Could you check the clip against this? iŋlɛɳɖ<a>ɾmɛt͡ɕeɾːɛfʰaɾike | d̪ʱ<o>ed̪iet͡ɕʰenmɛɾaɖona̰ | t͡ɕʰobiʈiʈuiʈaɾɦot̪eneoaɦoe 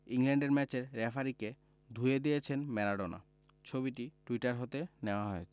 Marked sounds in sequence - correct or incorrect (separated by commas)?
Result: incorrect, incorrect